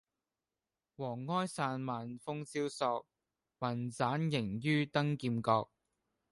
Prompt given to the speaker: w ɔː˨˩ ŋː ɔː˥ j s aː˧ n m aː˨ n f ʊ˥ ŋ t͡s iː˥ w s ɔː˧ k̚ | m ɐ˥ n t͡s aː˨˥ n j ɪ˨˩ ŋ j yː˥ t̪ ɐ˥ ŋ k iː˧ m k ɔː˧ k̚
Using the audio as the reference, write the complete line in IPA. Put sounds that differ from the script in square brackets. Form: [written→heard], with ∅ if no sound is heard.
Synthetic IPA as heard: w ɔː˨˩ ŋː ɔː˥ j s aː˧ n m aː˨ n f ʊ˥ ŋ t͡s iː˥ w s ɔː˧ k̚ | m [ɐ˥→ɐ˨˩] n t͡s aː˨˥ n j ɪ˨˩ ŋ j yː˥ t̪ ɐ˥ ŋ k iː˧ m k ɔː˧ k̚